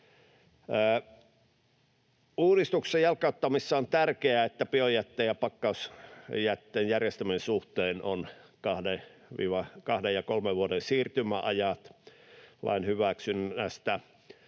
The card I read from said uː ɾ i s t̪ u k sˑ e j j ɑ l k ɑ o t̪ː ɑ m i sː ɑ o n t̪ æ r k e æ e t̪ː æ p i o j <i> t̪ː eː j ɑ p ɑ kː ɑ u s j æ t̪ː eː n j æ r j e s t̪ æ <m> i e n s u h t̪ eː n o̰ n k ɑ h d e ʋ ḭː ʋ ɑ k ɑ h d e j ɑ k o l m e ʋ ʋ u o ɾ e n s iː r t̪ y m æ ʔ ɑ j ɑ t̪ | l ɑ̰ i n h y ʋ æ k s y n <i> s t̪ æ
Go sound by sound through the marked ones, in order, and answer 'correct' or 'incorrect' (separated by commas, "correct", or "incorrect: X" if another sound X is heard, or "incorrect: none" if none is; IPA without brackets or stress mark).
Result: incorrect: æ, correct, incorrect: æ